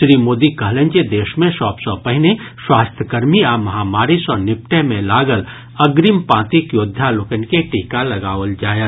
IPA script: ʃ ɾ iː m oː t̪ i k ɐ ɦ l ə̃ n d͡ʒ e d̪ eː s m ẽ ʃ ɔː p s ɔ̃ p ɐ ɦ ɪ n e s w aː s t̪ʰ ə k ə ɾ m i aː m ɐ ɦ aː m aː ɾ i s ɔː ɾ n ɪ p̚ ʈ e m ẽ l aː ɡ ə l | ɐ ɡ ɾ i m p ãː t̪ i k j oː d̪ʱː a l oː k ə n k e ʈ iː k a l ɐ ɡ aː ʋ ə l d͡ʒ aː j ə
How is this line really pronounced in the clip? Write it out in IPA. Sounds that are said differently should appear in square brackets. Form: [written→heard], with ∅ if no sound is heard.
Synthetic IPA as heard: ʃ ɾ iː m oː [t̪→d̪] i k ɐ ɦ l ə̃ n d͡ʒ e d̪ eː [s→ʃ] m ẽ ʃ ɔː p s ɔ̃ p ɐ ɦ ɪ n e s w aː s t̪ʰ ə k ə ɾ m i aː m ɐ ɦ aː m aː ɾ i s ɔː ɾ n ɪ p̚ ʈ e m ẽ l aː ɡ ə l | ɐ ɡ ɾ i m p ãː t̪ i k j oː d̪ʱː a l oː k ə n k e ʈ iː k a l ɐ ɡ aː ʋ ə l d͡ʒ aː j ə